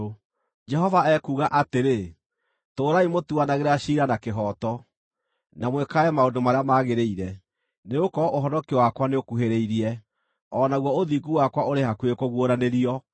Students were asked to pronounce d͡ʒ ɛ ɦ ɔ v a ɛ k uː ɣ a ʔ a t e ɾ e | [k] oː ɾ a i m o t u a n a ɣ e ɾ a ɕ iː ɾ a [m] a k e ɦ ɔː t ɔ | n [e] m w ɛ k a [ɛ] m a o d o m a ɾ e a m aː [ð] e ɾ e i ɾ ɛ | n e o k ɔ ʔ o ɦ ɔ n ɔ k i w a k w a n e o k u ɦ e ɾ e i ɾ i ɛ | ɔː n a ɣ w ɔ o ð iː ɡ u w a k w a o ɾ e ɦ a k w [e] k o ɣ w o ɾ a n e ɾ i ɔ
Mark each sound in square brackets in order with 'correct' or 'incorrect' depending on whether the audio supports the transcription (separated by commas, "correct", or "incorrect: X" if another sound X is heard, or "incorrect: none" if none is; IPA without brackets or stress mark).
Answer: incorrect: t, incorrect: n, incorrect: a, correct, incorrect: ɣ, correct